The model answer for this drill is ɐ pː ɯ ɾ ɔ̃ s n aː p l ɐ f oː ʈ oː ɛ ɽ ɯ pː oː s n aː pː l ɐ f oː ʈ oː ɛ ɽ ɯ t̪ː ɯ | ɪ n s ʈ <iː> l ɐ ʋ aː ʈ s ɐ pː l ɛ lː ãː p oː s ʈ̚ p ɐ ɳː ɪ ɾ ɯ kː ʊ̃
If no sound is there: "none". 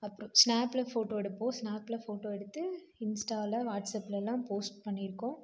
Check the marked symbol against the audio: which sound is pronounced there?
aː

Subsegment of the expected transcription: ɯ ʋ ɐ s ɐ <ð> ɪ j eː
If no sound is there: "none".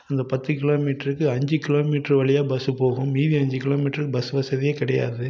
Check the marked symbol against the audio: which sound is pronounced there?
ð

